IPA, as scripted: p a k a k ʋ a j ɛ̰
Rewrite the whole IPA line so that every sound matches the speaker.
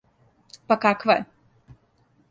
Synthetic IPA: p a k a k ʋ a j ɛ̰